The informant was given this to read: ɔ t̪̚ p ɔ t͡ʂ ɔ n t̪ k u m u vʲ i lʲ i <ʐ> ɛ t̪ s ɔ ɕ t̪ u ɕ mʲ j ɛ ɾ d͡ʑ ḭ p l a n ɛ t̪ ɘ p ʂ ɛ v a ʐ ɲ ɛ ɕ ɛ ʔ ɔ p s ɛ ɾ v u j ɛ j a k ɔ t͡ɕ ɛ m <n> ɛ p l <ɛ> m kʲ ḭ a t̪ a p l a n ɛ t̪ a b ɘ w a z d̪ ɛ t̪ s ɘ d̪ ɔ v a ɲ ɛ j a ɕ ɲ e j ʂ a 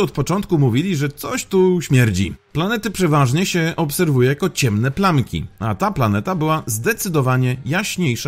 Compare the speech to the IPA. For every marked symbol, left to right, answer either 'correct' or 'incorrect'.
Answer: correct, correct, incorrect: a

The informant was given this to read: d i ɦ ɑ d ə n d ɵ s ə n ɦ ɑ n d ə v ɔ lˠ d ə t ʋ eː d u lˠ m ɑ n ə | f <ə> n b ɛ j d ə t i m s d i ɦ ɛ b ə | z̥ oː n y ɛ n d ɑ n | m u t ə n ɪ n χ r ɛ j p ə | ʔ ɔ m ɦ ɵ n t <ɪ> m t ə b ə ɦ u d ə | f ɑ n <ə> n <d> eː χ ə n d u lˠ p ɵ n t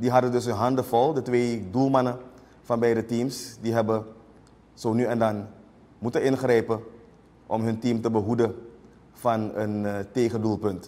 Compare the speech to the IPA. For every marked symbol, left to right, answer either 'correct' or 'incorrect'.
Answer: incorrect: ɑ, incorrect: i, correct, incorrect: t

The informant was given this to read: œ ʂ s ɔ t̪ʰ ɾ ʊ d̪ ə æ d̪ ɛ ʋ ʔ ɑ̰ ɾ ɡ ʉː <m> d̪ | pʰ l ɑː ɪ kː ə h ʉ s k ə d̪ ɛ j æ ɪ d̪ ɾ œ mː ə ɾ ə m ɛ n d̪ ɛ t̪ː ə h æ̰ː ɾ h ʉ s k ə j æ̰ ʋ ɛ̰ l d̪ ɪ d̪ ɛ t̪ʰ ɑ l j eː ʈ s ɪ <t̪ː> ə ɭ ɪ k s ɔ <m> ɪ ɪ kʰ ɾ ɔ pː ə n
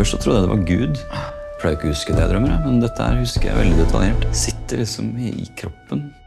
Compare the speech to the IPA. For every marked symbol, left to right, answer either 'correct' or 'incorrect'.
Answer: incorrect: none, correct, correct

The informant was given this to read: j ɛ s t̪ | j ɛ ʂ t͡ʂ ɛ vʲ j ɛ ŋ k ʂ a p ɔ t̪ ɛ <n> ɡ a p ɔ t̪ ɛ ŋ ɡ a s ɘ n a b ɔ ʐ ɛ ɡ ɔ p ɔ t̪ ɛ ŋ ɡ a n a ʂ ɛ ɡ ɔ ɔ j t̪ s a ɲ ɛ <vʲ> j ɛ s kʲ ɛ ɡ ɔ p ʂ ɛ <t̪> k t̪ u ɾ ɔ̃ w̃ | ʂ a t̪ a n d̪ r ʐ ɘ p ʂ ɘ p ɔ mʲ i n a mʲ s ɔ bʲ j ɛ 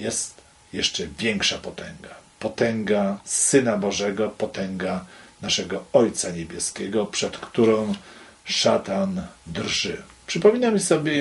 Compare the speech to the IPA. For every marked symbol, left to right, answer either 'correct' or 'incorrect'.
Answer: incorrect: ŋ, incorrect: bʲ, correct

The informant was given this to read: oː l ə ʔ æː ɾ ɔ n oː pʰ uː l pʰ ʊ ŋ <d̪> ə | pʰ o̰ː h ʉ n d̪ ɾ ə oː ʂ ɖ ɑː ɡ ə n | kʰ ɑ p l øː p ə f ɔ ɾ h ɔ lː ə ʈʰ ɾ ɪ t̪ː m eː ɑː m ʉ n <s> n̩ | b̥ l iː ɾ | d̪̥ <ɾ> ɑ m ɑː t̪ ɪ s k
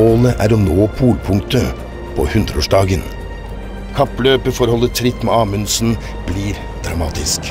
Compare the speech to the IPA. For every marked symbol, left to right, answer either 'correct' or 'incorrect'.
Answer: incorrect: t̪, correct, correct

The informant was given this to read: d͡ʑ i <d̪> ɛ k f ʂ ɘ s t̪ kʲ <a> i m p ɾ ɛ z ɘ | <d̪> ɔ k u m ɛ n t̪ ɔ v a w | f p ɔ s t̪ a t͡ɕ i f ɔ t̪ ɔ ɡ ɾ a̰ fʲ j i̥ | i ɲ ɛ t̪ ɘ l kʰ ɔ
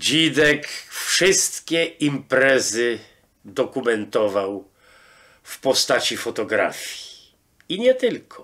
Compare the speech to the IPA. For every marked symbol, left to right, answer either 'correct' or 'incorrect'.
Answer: correct, incorrect: ɛ, correct

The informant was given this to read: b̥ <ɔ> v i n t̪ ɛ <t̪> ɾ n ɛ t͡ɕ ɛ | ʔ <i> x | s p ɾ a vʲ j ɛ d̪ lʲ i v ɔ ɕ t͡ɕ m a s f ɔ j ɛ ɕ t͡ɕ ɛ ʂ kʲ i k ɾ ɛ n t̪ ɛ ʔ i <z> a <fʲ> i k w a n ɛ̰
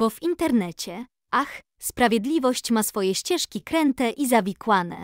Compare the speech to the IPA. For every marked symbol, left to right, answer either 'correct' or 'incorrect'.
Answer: correct, incorrect: none, incorrect: a, correct, incorrect: vʲ

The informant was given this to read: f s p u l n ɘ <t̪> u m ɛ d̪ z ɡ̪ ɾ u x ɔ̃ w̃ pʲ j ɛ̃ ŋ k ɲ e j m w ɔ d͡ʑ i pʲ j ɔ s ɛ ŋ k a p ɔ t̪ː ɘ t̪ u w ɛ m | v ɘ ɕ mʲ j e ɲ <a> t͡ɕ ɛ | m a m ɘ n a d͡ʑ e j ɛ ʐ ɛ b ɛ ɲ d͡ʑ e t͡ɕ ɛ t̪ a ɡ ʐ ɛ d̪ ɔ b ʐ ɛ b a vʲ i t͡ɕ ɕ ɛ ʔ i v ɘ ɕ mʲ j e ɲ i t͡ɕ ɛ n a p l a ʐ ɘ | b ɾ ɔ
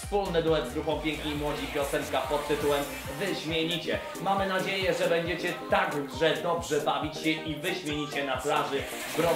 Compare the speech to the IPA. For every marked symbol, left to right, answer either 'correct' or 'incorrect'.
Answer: incorrect: d̪, incorrect: i

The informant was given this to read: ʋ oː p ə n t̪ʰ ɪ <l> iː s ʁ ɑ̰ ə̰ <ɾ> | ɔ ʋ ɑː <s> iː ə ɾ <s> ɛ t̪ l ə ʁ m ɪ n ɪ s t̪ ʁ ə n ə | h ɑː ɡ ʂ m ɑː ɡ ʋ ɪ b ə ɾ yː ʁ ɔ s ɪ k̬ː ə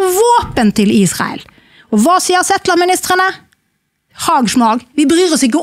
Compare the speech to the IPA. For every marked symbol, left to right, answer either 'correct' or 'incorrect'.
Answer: correct, incorrect: l, correct, correct

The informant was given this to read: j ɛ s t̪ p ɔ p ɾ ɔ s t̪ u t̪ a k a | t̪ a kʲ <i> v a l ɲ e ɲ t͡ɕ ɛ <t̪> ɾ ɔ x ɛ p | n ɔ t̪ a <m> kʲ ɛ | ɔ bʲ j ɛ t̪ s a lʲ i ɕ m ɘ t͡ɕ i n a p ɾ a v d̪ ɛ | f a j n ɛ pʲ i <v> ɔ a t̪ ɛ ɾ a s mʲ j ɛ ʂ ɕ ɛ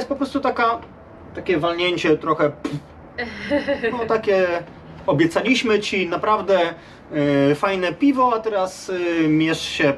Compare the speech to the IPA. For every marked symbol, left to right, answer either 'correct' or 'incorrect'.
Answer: incorrect: ɛ, correct, incorrect: none, correct

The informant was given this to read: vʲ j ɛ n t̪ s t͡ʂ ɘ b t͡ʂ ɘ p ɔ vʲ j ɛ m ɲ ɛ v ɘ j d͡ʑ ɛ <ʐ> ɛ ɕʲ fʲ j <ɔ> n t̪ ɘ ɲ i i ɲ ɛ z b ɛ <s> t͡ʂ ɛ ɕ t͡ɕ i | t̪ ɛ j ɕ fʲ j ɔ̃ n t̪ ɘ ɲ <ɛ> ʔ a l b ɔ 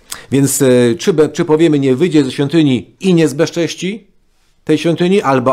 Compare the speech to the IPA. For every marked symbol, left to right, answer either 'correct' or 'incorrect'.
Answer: incorrect: z, correct, incorrect: ʂ, incorrect: i

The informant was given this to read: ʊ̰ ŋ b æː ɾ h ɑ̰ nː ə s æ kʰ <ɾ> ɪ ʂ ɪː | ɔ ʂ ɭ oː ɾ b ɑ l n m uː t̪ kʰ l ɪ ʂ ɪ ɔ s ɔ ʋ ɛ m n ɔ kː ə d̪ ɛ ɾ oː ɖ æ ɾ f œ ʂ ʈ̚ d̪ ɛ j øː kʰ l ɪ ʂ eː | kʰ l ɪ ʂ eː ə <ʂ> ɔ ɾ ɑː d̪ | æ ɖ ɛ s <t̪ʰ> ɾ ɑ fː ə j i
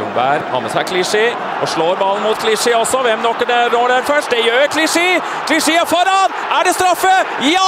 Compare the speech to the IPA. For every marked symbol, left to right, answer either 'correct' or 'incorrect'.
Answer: incorrect: l, incorrect: f, incorrect: t̪

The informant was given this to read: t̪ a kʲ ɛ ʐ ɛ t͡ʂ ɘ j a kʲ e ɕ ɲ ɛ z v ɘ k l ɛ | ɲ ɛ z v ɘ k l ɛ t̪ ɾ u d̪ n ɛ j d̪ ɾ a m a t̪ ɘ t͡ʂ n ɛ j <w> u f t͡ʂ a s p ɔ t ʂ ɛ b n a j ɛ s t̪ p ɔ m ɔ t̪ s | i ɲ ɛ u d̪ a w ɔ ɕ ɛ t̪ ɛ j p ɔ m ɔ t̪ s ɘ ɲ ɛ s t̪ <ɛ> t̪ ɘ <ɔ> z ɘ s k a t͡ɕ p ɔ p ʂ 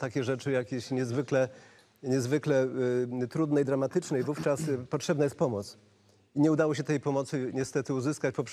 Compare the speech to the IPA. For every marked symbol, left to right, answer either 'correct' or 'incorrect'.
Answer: incorrect: v, correct, incorrect: u

